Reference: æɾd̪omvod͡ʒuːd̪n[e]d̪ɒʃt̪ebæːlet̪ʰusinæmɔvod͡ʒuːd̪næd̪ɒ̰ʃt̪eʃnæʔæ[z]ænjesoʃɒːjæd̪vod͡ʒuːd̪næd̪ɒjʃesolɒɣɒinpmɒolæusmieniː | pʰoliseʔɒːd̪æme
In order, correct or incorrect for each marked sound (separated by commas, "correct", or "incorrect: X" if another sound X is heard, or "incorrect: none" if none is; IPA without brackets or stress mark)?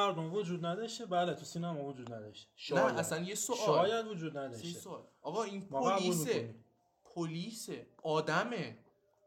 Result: incorrect: æ, incorrect: s